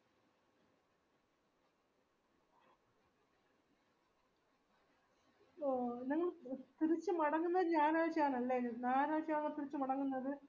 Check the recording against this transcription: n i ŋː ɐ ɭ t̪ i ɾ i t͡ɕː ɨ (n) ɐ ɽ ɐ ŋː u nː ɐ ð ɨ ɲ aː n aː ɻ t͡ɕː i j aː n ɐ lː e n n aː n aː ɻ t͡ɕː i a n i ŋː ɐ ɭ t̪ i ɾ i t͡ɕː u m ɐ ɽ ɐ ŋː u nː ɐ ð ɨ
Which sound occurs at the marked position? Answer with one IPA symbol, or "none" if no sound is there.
m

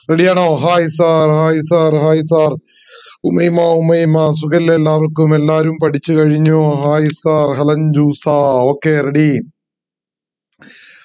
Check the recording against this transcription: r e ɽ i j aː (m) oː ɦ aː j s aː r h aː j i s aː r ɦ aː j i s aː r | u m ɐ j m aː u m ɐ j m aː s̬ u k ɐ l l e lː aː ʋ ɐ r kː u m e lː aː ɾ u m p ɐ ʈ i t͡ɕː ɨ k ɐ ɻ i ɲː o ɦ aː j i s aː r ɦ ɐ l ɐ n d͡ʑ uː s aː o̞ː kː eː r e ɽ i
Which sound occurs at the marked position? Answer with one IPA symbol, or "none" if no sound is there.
ɳ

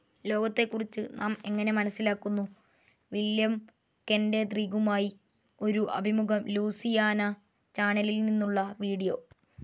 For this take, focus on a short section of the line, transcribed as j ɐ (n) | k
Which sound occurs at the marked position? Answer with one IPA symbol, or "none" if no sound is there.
m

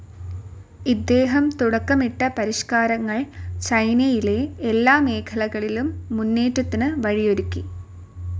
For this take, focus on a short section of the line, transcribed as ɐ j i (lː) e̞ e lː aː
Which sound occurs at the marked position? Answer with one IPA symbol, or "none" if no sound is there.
l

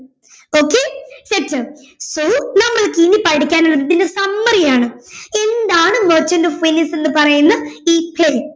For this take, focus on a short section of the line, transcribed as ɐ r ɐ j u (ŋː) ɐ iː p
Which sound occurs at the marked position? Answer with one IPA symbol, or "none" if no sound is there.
nː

